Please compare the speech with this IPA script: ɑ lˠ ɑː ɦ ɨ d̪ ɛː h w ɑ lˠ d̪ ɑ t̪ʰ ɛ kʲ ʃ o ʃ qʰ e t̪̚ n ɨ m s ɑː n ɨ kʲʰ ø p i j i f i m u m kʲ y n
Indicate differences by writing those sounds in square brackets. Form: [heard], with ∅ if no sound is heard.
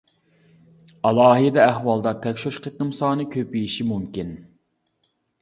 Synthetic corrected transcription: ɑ lˠ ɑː ɦ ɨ d̪ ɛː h w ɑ lˠ d̪ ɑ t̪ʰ ɛ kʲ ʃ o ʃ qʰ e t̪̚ n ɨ m s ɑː n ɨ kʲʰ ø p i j i [ʃ] i m u m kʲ [i] n

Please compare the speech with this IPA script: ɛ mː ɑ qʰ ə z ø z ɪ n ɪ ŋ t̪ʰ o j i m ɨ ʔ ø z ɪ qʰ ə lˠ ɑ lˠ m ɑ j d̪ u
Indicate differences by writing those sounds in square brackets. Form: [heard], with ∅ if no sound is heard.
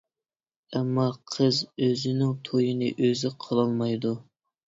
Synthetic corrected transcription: ɛ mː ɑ qʰ ə z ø z ɪ n ɪ ŋ t̪ʰ o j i [n] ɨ ʔ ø z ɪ qʰ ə lˠ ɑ lˠ m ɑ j d̪ u

